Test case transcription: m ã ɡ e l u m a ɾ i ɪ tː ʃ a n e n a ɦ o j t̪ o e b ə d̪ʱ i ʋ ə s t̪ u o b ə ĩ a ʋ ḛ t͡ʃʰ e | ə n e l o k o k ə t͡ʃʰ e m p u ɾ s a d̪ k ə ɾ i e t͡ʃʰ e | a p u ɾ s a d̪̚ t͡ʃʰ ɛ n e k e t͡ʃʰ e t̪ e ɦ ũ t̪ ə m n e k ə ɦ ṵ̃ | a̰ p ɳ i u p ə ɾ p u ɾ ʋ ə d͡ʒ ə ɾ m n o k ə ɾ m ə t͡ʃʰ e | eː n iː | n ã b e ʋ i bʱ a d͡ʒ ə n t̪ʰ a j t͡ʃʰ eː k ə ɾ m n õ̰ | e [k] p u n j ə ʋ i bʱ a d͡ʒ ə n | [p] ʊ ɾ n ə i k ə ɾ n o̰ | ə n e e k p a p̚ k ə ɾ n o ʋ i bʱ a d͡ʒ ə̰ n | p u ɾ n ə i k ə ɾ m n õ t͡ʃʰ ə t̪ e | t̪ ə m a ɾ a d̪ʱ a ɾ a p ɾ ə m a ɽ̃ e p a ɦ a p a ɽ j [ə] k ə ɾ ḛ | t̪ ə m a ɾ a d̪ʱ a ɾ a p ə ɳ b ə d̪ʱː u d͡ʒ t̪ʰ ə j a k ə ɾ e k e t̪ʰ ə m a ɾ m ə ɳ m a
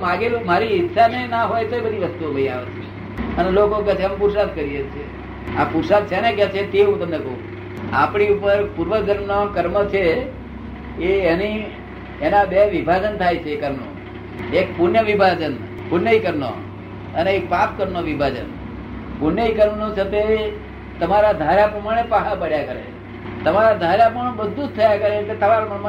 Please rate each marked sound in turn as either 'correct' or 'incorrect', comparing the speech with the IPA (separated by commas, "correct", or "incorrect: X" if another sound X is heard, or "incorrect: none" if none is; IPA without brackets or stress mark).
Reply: correct, correct, incorrect: a